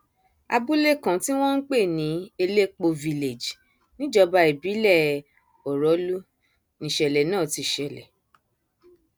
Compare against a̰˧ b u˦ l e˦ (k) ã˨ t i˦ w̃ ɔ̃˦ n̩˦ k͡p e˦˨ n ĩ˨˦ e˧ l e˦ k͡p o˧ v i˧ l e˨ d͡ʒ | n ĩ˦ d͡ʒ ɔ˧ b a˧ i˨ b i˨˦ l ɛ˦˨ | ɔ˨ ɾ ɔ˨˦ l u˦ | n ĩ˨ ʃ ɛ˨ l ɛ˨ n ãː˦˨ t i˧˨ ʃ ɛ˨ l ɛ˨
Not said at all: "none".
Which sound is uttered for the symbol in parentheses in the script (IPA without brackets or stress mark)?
k